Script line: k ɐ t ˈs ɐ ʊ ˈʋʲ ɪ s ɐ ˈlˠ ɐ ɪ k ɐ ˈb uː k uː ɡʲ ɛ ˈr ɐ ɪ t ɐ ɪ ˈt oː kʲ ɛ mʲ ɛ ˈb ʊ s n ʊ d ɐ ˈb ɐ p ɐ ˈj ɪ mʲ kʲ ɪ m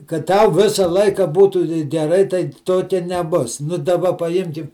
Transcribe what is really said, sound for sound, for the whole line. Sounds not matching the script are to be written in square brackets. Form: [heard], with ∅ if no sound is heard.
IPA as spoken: k ɐ t [ˈt] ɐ ʊ ˈʋʲ ɪ s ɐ ˈlˠ ɐ ɪ k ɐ ˈb uː [t] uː ɡʲ ɛ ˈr ɐ ɪ t ɐ ɪ ˈt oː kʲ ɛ [nʲ] ɛ ˈb ʊ s n ʊ d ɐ ˈb ɐ p ɐ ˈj ɪ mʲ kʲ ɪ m